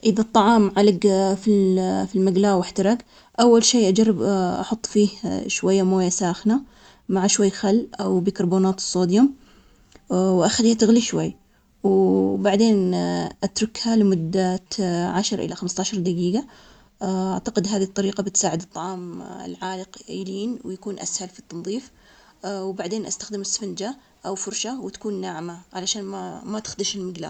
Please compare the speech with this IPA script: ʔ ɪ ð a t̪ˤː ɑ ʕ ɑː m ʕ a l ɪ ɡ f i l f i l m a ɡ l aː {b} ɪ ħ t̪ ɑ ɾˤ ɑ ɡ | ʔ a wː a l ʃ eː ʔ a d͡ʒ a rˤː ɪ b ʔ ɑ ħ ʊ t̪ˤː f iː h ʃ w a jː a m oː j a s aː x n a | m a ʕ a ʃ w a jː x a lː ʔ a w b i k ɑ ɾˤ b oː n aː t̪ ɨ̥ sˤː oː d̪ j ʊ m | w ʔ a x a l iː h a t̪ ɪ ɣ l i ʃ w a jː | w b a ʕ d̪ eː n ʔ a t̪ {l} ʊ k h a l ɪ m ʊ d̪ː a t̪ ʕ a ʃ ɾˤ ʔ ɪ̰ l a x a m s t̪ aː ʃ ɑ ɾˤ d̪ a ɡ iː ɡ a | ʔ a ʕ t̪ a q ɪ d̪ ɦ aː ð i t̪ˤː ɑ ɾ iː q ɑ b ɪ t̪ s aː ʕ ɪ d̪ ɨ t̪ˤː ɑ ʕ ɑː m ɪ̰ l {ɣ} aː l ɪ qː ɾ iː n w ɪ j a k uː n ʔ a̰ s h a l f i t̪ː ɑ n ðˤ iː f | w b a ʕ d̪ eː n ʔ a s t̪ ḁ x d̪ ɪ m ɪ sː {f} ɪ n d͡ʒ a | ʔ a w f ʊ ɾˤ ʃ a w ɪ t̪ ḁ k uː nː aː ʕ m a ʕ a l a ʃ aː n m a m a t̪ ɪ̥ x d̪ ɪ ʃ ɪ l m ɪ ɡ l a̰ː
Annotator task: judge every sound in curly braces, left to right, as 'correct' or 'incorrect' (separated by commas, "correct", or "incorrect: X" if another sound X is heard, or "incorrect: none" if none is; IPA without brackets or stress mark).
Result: incorrect: w, incorrect: ɾ, incorrect: ʕ, correct